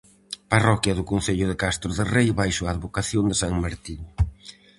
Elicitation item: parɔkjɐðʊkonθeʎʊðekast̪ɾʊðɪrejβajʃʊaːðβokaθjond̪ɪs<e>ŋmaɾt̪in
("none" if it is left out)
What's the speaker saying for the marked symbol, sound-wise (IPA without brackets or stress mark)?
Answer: a